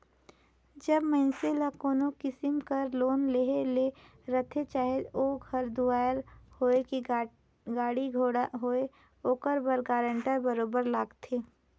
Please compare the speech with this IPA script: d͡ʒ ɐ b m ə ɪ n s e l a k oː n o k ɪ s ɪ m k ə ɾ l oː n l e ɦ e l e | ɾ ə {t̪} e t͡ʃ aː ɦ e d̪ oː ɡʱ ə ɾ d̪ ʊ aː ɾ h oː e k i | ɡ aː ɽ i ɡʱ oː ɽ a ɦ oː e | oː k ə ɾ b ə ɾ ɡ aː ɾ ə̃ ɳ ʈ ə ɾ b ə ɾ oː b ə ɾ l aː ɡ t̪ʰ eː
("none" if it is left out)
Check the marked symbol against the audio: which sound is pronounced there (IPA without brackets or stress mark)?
t̪ʰ